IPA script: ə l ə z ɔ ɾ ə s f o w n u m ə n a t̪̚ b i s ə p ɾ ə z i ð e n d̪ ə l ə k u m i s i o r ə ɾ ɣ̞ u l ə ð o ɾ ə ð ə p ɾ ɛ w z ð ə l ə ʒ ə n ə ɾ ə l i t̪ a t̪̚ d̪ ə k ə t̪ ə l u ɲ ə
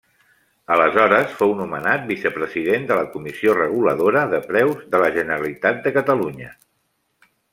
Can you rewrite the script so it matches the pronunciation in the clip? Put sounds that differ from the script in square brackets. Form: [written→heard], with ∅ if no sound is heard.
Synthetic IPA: ə l ə z ɔ ɾ ə s f o w n u m ə n a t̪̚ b i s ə p ɾ ə z i ð e n d̪ ə l ə k u m i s i o r ə [ɾ→∅] ɣ̞ u l ə ð o ɾ ə ð ə p ɾ ɛ w z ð ə l ə ʒ ə n ə ɾ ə l i t̪ a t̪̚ d̪ ə k ə t̪ ə l u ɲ ə